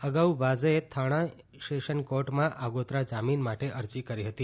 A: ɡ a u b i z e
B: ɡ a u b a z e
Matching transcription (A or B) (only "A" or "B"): B